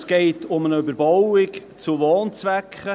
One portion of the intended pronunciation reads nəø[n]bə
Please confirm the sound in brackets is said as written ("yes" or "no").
no